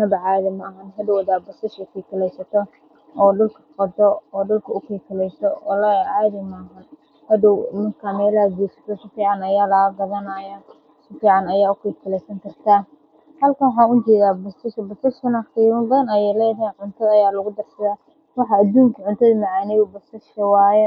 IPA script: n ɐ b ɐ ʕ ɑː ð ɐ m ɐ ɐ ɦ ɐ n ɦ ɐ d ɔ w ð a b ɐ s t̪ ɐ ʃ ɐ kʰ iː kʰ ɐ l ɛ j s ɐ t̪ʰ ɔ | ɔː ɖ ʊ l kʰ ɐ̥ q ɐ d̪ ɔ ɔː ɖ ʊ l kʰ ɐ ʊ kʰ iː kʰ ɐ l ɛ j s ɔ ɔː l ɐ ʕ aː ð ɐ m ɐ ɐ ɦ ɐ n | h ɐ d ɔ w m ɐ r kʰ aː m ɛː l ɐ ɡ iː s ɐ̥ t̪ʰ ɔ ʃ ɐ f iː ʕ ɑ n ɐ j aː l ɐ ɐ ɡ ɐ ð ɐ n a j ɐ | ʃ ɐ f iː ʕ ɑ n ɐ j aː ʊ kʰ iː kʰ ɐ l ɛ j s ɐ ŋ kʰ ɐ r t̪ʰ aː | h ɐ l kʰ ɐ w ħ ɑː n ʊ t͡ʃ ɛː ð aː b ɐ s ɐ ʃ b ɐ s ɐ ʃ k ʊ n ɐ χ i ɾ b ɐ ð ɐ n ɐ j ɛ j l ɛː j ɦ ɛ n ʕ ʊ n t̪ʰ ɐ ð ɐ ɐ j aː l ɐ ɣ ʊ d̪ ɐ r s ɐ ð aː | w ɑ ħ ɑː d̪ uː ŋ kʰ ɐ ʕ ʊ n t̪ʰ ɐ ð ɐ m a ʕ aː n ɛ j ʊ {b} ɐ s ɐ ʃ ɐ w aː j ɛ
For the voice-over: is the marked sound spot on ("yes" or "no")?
yes